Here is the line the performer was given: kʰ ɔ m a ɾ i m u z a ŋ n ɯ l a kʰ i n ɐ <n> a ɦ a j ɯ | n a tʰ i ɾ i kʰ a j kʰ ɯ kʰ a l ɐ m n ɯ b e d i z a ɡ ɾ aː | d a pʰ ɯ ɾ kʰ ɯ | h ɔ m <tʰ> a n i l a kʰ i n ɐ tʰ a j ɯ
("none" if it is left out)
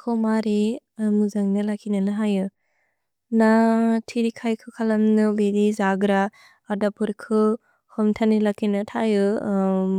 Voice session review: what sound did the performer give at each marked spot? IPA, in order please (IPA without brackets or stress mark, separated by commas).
n, tʰ